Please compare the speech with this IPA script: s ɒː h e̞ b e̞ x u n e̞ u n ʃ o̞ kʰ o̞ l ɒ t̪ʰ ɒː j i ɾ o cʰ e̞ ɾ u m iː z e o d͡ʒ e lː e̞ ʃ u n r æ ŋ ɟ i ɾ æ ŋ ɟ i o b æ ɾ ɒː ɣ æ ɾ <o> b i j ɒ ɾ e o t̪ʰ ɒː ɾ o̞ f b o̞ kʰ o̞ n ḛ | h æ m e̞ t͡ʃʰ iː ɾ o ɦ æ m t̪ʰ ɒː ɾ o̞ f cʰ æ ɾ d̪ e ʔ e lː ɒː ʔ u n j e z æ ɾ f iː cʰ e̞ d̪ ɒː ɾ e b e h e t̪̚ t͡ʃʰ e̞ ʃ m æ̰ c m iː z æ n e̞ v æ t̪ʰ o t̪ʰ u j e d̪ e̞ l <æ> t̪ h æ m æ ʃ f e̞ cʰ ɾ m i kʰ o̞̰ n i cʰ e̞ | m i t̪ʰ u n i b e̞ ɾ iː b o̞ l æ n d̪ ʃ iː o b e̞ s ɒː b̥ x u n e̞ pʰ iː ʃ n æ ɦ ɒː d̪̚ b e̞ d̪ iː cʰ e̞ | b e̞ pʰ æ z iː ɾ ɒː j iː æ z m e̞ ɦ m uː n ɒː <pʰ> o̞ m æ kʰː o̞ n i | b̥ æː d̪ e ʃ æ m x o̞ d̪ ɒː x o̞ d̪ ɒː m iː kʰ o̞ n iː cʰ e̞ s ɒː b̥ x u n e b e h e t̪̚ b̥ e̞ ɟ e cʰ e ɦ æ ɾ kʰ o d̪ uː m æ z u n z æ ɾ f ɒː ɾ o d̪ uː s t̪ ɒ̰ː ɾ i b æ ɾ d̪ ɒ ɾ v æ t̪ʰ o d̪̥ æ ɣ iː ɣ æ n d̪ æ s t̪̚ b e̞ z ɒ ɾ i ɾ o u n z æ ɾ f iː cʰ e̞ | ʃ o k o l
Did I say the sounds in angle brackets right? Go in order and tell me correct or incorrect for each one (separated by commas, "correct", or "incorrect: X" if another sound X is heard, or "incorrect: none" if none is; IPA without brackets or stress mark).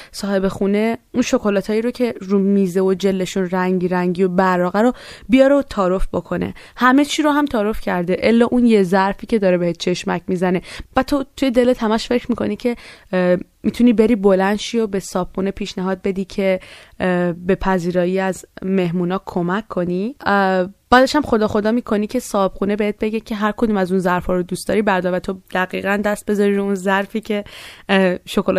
correct, incorrect: e, incorrect: kʰ